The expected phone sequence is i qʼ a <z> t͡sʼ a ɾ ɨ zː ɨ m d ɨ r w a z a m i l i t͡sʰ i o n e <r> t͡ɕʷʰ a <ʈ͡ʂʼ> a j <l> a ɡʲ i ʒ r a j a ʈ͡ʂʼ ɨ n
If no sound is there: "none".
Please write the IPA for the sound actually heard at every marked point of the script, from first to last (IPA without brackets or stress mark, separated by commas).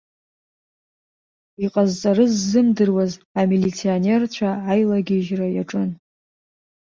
z, r, none, l